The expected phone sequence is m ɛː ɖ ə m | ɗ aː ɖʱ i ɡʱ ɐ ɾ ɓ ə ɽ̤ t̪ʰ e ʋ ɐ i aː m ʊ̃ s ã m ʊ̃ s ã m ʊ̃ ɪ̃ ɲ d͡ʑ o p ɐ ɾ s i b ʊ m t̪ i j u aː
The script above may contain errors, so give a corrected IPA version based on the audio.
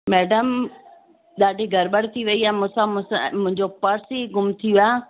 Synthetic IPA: m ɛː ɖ ə m | ɗ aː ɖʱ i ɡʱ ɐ ɾ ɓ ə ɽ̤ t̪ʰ i ʋ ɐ i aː m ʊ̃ s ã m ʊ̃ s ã m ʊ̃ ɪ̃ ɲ d͡ʑ o p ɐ ɾ s i ɡ ʊ m t̪ʰ i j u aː